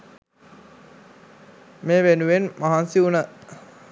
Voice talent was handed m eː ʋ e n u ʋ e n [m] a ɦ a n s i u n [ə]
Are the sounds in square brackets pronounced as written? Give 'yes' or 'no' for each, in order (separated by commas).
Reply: yes, yes